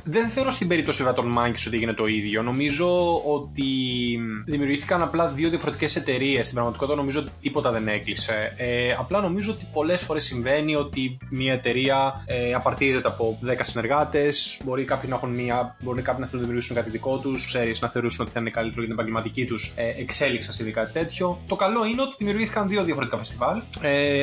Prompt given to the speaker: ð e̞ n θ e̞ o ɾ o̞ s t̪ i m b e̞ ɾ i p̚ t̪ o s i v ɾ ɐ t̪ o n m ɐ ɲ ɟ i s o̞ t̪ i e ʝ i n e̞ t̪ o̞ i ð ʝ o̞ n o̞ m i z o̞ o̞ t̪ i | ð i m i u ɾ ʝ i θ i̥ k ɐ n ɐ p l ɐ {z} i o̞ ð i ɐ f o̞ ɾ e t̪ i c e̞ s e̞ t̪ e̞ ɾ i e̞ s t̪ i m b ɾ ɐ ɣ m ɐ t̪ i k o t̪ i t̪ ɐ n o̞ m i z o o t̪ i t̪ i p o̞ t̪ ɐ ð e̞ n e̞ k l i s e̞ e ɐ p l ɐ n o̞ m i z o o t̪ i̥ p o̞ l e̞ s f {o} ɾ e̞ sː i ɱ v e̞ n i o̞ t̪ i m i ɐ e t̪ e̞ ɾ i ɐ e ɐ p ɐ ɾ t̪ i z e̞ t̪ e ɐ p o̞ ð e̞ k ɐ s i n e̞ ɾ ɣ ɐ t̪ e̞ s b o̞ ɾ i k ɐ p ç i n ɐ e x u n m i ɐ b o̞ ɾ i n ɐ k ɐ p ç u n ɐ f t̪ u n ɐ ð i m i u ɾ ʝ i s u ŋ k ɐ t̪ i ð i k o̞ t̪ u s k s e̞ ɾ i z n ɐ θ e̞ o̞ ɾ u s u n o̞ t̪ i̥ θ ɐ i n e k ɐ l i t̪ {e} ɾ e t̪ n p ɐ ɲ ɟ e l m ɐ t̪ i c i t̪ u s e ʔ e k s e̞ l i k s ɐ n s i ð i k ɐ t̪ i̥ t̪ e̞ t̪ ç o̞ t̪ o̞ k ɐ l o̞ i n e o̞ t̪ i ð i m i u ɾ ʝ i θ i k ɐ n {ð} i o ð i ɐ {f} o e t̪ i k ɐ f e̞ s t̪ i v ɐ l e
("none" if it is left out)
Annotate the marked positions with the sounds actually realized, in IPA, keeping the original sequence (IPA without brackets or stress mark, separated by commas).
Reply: ð, o, e, ð, f